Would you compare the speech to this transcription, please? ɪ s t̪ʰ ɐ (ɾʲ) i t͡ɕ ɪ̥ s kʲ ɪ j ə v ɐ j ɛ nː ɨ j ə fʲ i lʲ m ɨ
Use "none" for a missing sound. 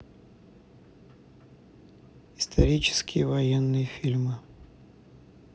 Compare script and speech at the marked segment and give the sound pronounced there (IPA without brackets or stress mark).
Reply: ɾʲ